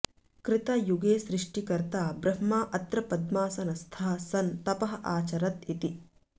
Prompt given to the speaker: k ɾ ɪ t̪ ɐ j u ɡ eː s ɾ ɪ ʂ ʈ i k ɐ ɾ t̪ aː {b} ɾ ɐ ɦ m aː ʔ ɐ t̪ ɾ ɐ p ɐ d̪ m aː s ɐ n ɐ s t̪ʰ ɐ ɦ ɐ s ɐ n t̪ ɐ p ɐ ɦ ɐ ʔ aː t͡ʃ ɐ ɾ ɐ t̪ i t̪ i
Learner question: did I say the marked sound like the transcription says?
yes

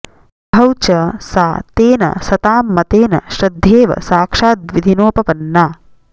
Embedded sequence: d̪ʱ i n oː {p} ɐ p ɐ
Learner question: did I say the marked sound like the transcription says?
yes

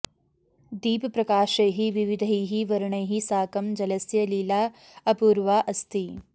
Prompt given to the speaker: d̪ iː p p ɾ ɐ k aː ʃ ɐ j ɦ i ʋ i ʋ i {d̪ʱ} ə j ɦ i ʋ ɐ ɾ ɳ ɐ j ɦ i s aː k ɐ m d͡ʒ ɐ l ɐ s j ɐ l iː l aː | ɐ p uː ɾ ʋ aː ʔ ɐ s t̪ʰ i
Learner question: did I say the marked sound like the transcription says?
yes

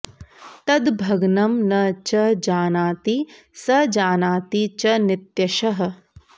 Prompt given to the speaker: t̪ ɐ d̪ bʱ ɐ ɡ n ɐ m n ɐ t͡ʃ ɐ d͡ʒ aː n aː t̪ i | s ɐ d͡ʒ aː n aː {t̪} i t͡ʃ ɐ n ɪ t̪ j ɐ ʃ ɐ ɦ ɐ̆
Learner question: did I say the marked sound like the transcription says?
yes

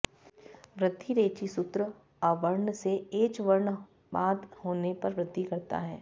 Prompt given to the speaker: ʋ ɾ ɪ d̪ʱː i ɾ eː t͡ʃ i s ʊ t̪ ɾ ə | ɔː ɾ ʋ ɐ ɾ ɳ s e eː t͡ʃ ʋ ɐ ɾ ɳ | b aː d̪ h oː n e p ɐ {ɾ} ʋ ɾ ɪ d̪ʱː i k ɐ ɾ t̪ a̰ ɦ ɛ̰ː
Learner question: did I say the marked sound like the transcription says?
yes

